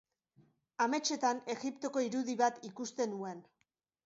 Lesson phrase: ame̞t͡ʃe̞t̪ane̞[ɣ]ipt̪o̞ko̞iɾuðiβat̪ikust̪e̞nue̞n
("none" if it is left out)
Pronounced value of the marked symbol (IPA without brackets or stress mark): ɣ